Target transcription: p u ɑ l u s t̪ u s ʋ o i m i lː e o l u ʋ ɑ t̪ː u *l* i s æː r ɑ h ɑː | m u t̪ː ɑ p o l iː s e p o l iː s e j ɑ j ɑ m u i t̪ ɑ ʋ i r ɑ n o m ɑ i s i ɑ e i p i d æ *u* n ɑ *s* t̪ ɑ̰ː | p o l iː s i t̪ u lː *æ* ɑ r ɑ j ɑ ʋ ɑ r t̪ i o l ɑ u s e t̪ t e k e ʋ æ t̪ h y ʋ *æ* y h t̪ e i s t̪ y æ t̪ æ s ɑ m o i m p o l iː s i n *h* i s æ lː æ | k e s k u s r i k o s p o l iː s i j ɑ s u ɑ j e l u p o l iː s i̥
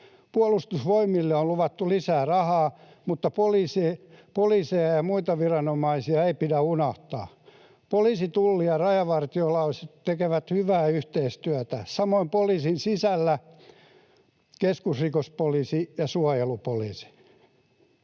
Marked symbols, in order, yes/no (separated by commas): yes, yes, no, no, no, no